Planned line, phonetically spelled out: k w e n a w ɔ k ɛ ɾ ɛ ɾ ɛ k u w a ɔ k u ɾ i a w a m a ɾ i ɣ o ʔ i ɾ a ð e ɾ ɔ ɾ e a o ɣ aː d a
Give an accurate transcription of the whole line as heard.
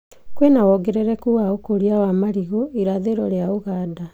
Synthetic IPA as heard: k w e n a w ɔ ɡ ɛ ɾ ɛ ɾ ɛ k u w a o k o ɾ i a w a m a ɾ i ɣ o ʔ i ɾ a ð e ɾ ɔ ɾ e a o ɣ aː d a